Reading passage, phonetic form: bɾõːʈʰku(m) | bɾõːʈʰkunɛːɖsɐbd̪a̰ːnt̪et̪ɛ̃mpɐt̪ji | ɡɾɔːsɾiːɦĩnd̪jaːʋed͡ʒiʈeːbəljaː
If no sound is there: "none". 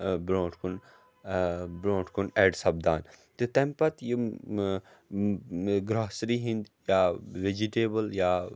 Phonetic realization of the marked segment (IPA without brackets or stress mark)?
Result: n